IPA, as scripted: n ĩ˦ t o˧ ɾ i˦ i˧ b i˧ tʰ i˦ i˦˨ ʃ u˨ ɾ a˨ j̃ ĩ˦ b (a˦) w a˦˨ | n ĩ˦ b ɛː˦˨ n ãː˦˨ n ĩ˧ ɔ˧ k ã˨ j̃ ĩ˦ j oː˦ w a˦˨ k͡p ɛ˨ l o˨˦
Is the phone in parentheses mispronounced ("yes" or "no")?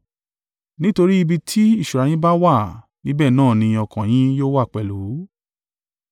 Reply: no